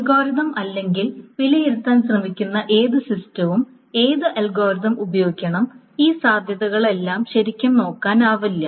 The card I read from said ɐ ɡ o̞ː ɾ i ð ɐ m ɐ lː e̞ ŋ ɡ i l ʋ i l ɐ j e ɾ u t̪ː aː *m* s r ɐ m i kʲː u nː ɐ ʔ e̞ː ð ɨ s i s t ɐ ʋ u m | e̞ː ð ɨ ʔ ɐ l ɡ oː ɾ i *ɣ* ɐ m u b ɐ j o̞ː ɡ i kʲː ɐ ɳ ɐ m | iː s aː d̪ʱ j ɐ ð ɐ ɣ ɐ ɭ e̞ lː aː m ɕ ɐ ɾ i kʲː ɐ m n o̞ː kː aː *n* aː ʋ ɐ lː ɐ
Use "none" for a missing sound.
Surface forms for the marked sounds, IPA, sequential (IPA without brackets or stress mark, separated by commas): n, ð, n